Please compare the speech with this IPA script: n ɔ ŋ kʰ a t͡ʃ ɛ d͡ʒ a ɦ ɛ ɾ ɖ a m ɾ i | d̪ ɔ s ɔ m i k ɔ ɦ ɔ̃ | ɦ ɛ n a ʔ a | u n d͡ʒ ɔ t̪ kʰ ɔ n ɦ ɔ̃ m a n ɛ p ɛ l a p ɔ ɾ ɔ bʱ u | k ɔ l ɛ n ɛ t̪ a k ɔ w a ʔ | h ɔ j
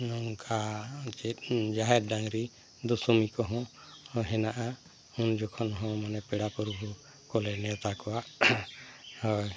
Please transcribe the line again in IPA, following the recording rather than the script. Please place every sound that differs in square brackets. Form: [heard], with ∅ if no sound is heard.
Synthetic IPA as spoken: n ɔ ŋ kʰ a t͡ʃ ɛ d͡ʒ a ɦ ɛ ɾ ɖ a [ŋ] ɾ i | d̪ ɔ s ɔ m i k ɔ ɦ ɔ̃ | ɦ ɛ n a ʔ a | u n d͡ʒ ɔ [∅] kʰ ɔ n ɦ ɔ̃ m a n ɛ p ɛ [ɽ] a p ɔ ɾ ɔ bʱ u | k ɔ l ɛ n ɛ t̪ a k ɔ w a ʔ | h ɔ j